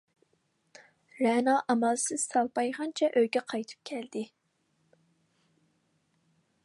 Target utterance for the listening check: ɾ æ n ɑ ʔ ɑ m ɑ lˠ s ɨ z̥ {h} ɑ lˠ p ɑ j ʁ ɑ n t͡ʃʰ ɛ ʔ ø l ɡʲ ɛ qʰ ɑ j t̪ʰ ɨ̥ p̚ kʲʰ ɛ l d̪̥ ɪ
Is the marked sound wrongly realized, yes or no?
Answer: yes